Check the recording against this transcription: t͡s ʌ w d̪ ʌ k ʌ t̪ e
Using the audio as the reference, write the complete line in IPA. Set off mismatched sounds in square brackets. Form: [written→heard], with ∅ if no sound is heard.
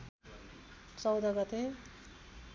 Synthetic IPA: t͡s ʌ w d̪ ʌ [k→ɡ] ʌ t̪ e